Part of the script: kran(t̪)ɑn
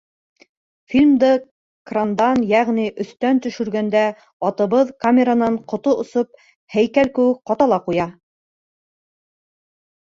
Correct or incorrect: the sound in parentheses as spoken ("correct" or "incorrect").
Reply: incorrect